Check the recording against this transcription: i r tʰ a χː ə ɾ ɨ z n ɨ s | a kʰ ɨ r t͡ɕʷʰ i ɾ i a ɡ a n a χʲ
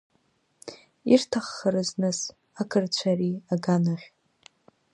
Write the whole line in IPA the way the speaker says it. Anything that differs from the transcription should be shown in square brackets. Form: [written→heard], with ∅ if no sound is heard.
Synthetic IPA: i r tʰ a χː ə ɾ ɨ z n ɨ s | a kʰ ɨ r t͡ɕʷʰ [i→a] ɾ i a ɡ a n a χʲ